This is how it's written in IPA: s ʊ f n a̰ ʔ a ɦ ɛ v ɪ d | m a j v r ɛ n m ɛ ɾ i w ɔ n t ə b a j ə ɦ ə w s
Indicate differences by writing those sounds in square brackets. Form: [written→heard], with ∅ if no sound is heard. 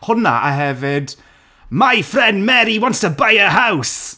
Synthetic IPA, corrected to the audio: [s→h] ʊ [f→∅] n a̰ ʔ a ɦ ɛ v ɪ d | m a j [v→f] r ɛ n m ɛ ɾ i w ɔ n t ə b a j ə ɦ [ə→a] w s